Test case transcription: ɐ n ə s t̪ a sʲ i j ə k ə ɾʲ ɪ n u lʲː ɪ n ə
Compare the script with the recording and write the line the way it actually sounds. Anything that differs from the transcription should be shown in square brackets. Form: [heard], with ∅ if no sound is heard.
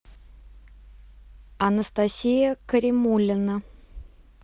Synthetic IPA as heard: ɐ n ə s t̪ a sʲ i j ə k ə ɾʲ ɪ [m] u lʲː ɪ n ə

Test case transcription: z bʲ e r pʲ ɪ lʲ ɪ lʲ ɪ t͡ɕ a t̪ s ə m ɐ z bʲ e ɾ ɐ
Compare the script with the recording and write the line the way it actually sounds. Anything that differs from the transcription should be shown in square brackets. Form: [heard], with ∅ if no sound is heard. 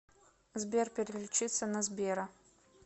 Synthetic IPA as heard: z bʲ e r pʲ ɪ [ɾʲ] ɪ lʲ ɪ t͡ɕ [i] t̪ s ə [n] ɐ z bʲ e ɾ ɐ

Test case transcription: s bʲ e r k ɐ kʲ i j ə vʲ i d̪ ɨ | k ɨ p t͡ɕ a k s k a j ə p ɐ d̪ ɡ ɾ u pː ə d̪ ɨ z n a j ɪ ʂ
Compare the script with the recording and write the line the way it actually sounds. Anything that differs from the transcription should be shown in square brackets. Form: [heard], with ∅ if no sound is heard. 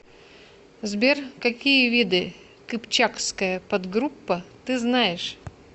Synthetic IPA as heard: [z] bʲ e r k ɐ kʲ i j ə vʲ i d̪ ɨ | k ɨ p t͡ɕ a k s k [ə] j ə p ɐ d̪ ɡ ɾ u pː ə [t̪] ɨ z n a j ɪ ʂ

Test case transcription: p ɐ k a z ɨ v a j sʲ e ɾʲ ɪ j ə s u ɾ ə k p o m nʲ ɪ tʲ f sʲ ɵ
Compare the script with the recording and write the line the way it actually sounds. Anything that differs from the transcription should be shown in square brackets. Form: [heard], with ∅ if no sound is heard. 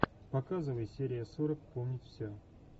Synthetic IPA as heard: p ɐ k a z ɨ v [ə] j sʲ e ɾʲ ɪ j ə s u ɾ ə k p o m nʲ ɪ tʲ f sʲ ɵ

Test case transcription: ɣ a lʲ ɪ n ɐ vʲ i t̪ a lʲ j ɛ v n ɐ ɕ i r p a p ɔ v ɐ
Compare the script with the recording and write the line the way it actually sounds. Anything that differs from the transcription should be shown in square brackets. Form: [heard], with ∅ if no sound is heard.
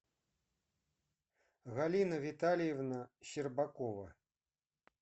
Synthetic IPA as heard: ɣ a lʲ [i] n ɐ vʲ i t̪ a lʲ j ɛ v n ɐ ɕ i r [b] a [k] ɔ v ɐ

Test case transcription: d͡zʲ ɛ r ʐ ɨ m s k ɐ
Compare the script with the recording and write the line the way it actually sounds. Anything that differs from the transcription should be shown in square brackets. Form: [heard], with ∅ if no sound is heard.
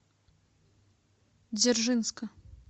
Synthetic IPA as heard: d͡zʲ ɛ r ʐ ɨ [n] s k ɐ

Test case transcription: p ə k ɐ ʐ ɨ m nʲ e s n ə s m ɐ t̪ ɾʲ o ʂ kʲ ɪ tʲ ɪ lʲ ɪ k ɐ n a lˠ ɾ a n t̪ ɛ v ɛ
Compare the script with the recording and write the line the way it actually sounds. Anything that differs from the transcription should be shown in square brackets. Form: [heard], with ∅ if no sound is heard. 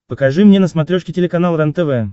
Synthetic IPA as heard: p ə k ɐ ʐ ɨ m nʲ e [∅] n ə s m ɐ t̪ ɾʲ o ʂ kʲ ɪ tʲ ɪ lʲ ɪ k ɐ n a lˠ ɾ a n t̪ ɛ v ɛ

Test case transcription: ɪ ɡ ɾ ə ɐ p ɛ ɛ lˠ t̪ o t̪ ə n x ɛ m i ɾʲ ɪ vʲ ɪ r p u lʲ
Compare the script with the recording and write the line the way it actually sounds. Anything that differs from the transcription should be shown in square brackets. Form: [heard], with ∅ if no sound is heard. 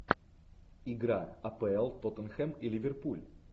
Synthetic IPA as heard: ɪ ɡ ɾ [a] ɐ p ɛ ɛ lˠ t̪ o t̪ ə n x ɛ m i [lʲ] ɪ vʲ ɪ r p u lʲ

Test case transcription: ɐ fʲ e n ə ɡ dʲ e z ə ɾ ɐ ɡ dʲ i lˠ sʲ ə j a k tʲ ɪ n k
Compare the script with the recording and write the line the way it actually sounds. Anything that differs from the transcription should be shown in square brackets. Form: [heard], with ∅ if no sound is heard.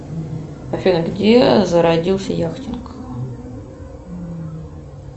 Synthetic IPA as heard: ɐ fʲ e n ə ɡ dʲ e z ə ɾ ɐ [∅] dʲ i lˠ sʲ ə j a [x] tʲ ɪ n k

